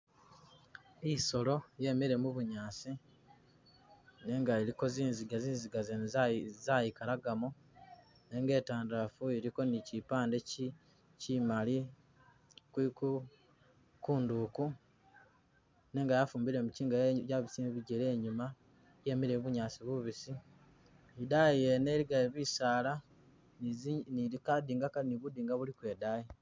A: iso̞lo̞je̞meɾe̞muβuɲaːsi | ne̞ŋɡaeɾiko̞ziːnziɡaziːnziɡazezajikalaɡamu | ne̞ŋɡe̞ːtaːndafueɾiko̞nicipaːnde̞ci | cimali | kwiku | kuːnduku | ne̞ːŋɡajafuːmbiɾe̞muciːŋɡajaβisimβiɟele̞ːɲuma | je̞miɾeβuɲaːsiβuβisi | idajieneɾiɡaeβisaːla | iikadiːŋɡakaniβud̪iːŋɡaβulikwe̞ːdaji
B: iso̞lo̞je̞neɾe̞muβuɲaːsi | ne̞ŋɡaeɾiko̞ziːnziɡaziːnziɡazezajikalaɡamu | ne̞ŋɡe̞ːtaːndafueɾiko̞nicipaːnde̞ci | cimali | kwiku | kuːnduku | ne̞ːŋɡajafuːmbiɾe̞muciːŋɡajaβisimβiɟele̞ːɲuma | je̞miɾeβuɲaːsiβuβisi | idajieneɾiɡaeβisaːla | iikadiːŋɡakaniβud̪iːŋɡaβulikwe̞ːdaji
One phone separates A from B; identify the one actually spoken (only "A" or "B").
A